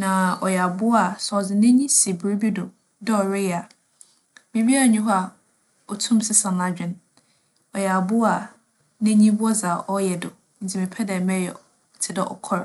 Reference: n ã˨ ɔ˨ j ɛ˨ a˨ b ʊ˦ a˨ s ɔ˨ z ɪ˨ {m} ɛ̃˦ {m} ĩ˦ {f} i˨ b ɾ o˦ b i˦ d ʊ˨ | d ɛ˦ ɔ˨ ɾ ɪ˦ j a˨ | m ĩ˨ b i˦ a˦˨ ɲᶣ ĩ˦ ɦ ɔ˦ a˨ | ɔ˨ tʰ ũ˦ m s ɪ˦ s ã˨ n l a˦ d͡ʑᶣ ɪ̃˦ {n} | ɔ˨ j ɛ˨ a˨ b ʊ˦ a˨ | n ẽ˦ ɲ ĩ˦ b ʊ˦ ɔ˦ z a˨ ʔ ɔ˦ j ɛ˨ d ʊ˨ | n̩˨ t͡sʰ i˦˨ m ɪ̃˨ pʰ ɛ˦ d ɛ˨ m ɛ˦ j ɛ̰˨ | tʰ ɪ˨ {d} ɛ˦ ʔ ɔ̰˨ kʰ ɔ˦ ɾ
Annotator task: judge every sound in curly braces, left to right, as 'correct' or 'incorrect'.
incorrect: n, incorrect: ɲ, incorrect: s, correct, correct

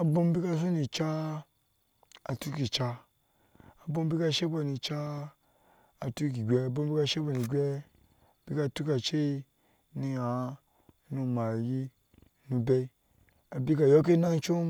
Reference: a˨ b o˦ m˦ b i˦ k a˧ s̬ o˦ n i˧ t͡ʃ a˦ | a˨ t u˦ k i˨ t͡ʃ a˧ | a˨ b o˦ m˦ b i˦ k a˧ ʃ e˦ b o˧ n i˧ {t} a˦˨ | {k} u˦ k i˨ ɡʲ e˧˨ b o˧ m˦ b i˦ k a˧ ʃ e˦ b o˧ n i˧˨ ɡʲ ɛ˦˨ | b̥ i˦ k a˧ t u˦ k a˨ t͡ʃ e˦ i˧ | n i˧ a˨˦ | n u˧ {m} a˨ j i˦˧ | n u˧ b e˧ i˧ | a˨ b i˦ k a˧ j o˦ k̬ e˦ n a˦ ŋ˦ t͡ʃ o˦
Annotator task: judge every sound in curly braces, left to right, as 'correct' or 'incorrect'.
incorrect: t͡ʃ, incorrect: t, correct

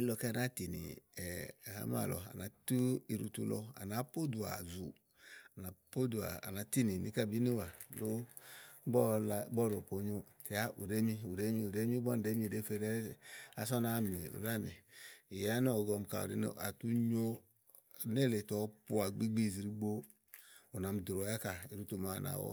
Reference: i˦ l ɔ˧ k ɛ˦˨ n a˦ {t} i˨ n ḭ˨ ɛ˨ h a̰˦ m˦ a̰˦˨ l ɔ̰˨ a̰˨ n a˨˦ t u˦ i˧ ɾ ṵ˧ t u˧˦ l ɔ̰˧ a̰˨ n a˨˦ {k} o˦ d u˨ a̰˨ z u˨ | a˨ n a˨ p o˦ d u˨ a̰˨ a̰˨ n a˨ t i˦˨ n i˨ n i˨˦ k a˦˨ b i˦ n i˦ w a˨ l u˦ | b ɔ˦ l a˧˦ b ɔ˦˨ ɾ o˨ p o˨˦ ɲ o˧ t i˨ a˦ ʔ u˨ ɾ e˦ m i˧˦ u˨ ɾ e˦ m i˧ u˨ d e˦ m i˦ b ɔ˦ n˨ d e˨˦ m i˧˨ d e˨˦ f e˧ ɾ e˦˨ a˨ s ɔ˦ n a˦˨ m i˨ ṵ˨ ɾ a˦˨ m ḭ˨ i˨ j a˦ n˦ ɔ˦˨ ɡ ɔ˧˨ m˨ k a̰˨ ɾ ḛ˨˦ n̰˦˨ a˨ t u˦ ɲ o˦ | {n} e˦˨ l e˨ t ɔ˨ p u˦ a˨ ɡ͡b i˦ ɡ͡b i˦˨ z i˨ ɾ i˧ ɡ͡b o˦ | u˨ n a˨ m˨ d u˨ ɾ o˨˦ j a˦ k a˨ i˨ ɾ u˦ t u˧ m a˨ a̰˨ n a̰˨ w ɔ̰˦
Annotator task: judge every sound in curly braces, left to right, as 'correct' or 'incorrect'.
correct, incorrect: p, correct

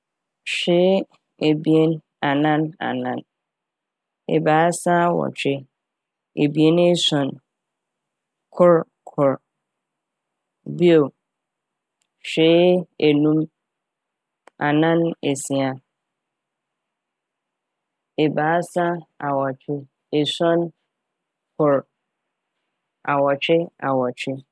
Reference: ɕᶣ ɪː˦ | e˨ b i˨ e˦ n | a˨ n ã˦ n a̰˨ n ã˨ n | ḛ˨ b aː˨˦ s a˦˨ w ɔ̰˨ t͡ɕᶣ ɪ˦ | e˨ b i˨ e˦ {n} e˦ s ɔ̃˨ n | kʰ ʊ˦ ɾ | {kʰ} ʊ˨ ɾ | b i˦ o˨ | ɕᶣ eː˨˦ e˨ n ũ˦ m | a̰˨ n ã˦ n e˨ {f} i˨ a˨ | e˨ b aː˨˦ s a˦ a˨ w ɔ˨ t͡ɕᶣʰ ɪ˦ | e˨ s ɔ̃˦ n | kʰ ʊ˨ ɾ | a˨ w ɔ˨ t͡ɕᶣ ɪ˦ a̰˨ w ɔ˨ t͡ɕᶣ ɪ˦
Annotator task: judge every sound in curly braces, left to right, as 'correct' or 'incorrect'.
correct, correct, incorrect: s

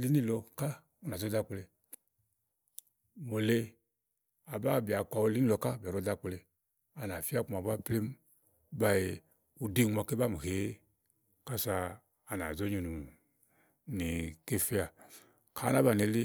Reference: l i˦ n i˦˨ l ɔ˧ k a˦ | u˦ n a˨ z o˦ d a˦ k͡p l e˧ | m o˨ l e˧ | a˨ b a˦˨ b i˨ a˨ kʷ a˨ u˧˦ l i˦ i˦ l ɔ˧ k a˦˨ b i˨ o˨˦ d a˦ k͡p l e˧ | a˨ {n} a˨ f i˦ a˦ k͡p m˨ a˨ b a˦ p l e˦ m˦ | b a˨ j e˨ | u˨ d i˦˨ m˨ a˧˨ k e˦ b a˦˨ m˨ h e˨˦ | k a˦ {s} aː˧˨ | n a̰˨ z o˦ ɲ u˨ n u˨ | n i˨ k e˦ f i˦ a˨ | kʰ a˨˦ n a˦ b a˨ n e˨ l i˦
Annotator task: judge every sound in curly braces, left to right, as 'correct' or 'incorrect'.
correct, correct

